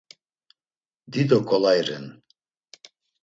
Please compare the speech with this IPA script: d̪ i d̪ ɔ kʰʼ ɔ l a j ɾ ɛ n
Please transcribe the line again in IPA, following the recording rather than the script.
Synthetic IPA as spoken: d̪ i d̪ ɔ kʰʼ ɔ l a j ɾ ɛ n